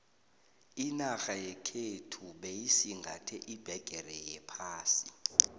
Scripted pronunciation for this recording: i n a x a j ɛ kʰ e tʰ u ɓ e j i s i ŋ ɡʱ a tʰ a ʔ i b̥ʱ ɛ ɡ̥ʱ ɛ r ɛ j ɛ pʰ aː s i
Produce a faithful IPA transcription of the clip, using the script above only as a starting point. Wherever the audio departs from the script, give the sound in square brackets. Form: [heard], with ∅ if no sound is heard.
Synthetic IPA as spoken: i n a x a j ɛ kʰ e tʰ u ɓ e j i s i ŋ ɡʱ a tʰ [ɛ] ʔ i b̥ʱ ɛ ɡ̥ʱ ɛ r ɛ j ɛ pʰ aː s i